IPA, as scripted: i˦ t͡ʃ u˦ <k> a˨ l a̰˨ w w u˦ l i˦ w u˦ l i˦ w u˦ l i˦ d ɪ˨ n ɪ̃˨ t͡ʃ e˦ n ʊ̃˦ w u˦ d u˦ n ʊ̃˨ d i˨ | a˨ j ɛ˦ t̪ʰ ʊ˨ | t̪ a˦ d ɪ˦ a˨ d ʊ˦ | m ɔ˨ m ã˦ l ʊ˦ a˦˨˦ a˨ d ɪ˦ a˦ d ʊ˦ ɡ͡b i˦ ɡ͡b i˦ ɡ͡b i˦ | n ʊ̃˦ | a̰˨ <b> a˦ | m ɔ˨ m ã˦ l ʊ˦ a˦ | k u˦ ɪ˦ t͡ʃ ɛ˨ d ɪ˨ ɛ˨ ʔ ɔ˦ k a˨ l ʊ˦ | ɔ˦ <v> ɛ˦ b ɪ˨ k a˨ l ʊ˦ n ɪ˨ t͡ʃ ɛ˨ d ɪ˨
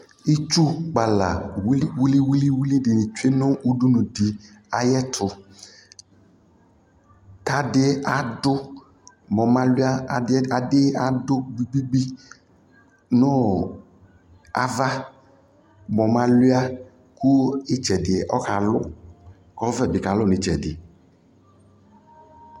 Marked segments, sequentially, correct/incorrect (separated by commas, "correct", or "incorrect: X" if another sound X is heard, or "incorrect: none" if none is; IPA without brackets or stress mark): incorrect: k͡p, incorrect: v, correct